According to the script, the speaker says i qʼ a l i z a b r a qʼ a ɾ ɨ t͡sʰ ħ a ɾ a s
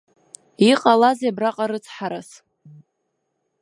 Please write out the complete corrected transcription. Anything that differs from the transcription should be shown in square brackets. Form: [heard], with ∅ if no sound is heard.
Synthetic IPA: i qʼ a l [a] z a b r a qʼ a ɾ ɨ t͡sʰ ħ a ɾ a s

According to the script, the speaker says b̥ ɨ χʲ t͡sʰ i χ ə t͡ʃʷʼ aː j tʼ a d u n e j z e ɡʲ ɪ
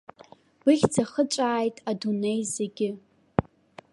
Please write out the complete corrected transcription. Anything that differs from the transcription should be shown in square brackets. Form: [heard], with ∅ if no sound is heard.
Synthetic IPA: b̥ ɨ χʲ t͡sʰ [a] χ ə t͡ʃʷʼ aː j tʼ a d u n e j z e ɡʲ ɪ

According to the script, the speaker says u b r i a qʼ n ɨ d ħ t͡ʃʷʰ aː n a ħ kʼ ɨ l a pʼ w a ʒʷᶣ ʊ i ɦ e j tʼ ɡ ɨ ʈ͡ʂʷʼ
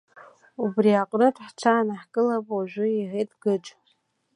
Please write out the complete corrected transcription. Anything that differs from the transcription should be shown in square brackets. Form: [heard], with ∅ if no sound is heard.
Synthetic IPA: u b r i a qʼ n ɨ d ħ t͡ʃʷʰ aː n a ħ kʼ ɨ l a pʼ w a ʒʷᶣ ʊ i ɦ e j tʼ ɡ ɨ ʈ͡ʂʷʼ

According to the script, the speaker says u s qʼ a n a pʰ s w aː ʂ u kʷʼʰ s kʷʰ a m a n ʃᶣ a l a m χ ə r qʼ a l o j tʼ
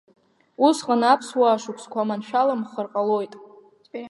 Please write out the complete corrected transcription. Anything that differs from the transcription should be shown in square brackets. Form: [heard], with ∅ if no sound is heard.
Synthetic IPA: u s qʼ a n a pʰ s w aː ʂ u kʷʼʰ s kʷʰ a m a n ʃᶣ a l a m χ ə r qʼ a l o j tʼ

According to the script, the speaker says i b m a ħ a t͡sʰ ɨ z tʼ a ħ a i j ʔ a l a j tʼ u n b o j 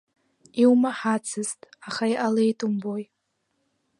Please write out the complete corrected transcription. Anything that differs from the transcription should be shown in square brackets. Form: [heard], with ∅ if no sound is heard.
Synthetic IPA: i [w] m a ħ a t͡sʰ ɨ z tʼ a [χ] a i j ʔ a l [e] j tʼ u [m] b o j

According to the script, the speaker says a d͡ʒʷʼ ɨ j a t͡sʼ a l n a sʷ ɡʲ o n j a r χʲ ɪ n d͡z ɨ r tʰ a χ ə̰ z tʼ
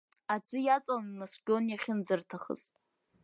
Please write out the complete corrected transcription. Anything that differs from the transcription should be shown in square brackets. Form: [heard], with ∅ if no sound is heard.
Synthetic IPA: a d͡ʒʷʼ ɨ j a t͡sʼ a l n a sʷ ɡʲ o n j a [∅] χʲ ɪ n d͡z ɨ r tʰ a χ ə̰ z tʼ

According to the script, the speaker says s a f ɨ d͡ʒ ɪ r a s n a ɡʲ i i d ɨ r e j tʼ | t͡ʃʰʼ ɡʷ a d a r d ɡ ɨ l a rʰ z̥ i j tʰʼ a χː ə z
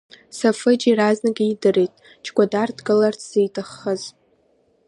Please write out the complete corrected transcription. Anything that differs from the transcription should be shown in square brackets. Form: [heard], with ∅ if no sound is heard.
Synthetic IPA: s a f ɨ d͡ʒ [i] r a [z] n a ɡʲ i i d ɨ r e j tʼ | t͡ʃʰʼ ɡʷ a d a r d ɡ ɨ l a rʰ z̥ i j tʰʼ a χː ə z

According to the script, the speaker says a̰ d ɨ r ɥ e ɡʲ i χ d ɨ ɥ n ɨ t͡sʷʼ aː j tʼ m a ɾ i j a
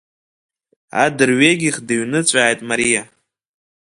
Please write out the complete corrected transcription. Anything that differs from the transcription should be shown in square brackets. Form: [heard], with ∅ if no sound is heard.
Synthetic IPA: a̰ d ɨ r ɥ e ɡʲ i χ d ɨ ɥ n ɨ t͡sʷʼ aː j tʼ m a ɾ i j a

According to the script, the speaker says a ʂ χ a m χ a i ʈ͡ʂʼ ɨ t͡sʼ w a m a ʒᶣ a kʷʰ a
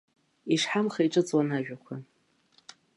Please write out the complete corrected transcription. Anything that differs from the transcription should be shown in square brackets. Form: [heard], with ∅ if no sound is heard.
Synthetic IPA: [i] ʂ [ħ] a m χ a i ʈ͡ʂʼ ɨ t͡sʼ w a [n] a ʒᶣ a kʷʰ a

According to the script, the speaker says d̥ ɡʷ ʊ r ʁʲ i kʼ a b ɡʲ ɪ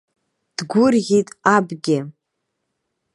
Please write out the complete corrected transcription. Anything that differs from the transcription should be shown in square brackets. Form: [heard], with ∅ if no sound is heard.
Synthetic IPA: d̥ ɡʷ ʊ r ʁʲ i [tʼ] a b ɡʲ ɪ

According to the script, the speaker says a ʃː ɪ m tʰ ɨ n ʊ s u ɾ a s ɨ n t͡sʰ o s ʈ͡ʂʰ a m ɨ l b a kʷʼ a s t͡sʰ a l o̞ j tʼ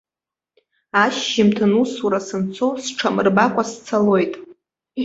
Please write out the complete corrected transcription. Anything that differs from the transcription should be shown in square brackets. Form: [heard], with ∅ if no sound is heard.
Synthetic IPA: a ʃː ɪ m tʰ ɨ n [u] s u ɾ a s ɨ n t͡sʰ o s ʈ͡ʂʰ a m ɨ [r] b a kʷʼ a s t͡sʰ a l o̞ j tʼ

